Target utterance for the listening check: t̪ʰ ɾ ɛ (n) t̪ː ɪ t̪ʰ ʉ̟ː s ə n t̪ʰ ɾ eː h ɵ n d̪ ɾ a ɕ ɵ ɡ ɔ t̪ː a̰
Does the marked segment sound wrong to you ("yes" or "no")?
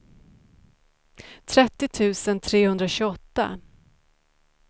yes